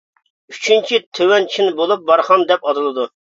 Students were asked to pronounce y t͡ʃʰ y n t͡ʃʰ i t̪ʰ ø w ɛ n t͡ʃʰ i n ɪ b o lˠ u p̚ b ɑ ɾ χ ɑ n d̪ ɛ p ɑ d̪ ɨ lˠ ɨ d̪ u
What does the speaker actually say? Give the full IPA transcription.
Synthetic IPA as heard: y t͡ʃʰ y n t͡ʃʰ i t̪ʰ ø w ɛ n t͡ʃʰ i n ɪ b o lˠ u p̚ b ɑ ɾ χ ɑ n d̪ ɛ p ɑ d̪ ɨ lˠ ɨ d̪ u